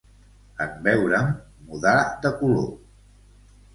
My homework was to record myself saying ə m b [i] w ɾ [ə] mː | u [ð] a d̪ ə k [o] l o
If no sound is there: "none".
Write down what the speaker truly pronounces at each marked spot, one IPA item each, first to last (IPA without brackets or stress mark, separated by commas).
ɛ, ə, ð, u